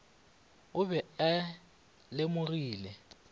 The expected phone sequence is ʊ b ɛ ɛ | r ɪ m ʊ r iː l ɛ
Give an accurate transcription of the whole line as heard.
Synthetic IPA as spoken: ʊ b ɛ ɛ | l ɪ m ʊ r iː l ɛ